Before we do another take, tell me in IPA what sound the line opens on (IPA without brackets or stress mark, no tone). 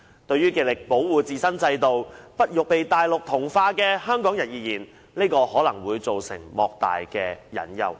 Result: t̪